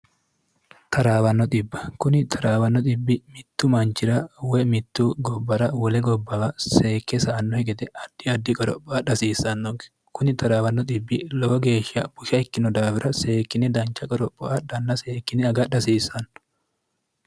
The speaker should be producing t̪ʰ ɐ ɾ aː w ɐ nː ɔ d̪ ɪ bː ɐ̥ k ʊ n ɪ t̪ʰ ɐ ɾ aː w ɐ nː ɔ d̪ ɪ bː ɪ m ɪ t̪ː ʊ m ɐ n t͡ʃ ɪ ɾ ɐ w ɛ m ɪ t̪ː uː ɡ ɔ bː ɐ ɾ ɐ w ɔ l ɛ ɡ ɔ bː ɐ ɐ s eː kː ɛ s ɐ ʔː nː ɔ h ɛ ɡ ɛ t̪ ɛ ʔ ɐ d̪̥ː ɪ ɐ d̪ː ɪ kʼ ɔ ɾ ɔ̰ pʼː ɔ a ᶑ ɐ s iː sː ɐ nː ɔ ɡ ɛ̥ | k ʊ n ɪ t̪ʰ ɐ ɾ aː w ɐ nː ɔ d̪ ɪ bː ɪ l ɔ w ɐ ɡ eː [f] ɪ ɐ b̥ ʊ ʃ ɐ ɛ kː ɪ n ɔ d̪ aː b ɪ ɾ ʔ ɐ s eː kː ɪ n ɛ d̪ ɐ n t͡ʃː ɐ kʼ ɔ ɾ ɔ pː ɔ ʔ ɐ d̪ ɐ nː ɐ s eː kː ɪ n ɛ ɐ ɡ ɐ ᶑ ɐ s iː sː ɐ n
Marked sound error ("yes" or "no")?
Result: yes